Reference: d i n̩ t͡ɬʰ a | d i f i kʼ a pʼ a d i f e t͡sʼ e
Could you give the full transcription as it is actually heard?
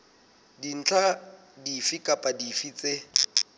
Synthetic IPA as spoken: d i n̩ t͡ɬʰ a | d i f i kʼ a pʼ a d i f i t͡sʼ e